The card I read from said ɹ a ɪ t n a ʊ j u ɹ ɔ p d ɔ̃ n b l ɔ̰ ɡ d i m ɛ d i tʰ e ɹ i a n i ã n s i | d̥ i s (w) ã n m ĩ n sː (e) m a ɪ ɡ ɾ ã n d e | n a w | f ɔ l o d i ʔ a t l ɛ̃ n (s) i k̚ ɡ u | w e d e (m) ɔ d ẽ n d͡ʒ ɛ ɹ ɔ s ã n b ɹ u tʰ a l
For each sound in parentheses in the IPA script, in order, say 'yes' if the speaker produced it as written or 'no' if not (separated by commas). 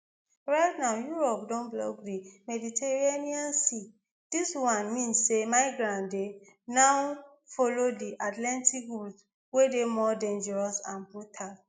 yes, yes, no, yes